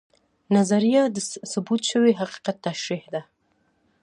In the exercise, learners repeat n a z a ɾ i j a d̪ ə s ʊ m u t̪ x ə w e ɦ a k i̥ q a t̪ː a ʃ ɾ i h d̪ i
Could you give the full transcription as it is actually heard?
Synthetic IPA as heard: n a z a ɾ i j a d̪ ə s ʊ b u t̪ ʃ ə w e ɦ a q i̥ q a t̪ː a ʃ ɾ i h d̪ a